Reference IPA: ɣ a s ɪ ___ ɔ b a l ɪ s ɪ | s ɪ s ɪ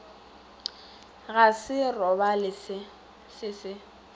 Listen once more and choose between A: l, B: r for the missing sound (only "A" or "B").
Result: B